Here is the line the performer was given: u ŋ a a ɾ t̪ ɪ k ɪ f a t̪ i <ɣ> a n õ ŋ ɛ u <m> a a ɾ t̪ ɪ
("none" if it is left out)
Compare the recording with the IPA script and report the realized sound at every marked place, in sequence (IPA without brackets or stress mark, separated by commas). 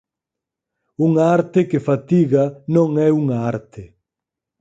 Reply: ɣ, ŋ